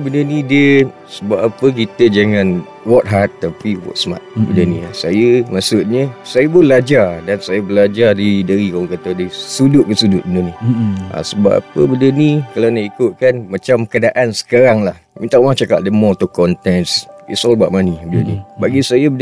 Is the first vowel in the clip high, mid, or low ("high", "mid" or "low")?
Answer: mid